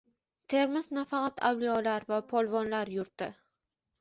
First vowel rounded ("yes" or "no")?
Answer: no